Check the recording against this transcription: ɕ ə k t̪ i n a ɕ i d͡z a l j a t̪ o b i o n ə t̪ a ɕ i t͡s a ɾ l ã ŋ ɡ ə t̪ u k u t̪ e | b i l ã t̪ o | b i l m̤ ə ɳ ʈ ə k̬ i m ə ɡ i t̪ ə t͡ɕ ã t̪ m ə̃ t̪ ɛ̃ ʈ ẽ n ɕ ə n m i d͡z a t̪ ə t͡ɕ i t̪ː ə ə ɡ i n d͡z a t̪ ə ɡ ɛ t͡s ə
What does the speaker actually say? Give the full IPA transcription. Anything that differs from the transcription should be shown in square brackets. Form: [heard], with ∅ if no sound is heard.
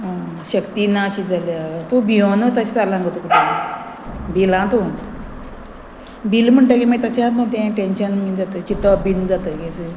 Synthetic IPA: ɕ ə k t̪ i n a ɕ i d͡z a l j a t̪ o b i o n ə t̪ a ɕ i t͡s a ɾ l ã ŋ ɡ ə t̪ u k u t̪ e | b i l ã t̪ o | b i l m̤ ə ɳ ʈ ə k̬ i m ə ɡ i t̪ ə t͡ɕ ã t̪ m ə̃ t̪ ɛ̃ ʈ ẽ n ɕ ə n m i d͡z a t̪ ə t͡ɕ i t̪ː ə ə [b] i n d͡z a t̪ ə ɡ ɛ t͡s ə